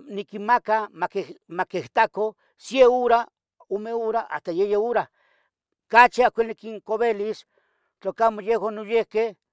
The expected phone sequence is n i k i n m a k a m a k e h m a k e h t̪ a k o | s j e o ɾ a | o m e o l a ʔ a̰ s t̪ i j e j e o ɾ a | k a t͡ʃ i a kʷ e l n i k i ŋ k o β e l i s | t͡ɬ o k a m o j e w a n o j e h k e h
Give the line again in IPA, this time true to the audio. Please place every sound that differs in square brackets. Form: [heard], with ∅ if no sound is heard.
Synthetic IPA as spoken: n i k i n m a k a m a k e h m a k e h t̪ a k o | s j e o ɾ a | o m e o [ɾ] a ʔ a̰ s t̪ [a] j e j e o ɾ a | k a t͡ʃ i a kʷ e l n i k i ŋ k o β e l i s | t͡ɬ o k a m o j e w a n o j e h k e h